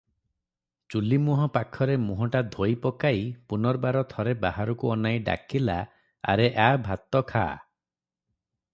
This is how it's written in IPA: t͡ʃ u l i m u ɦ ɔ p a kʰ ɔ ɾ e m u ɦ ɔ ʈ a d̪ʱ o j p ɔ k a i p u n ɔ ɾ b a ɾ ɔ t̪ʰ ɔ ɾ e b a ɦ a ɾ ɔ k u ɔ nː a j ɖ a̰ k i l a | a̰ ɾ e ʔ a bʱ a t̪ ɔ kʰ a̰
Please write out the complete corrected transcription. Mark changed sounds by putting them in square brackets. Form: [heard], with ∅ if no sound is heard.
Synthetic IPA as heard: t͡ʃ u l i m u ɦ ɔ p a kʰ ɔ ɾ e m u ɦ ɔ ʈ a d̪ʱ o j p ɔ k a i p u n ɔ ɾ b a ɾ ɔ t̪ʰ ɔ ɾ e b a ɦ a ɾ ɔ k u ɔ [n] a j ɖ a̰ k i l a | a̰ ɾ e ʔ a bʱ a t̪ ɔ kʰ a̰